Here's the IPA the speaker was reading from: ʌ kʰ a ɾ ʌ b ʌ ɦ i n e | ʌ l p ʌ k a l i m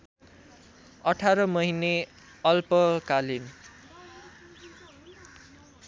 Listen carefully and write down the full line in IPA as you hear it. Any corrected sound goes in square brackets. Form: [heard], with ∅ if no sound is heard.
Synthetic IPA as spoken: ʌ [ʈʰ] a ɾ ʌ [m] ʌ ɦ i n e | ʌ l p ʌ k a l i [n]